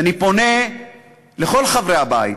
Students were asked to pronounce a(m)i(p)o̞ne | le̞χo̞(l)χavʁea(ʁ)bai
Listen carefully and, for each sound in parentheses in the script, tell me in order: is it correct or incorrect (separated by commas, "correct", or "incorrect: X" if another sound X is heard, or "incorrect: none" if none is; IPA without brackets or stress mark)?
incorrect: n, correct, correct, incorrect: none